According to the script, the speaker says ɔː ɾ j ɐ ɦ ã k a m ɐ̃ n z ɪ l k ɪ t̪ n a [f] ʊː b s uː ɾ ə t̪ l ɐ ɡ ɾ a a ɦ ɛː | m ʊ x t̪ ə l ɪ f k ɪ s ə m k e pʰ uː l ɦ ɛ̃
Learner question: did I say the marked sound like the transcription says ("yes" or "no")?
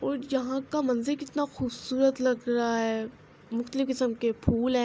no